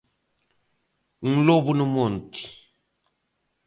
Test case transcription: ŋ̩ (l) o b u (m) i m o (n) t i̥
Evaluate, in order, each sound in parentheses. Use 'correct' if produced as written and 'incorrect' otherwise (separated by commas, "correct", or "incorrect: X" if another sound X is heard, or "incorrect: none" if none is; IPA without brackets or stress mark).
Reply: correct, incorrect: n, correct